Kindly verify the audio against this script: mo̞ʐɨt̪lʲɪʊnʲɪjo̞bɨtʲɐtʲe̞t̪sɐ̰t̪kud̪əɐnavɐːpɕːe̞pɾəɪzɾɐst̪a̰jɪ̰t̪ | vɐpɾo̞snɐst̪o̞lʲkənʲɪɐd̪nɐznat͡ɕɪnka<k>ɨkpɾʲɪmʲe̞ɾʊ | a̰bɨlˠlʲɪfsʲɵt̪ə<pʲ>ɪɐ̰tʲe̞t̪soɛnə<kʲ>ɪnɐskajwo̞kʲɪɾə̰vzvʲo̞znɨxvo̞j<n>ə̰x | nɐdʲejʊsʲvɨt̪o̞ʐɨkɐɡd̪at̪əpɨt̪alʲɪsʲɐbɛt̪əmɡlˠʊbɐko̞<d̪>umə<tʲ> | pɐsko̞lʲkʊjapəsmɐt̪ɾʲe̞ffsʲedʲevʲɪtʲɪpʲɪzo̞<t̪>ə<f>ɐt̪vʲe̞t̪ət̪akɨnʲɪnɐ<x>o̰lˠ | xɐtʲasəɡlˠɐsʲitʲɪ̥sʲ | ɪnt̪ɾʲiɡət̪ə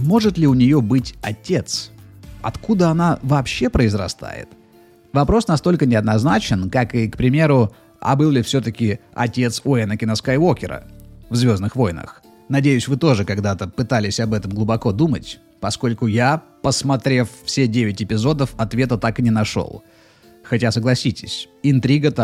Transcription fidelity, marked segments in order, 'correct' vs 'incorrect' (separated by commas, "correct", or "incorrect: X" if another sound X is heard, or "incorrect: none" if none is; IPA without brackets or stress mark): correct, incorrect: kʲ, correct, correct, correct, correct, incorrect: d̪, correct, incorrect: ʂ